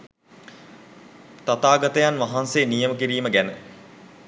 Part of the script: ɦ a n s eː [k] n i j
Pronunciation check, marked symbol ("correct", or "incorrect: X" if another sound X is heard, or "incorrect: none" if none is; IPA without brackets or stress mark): incorrect: none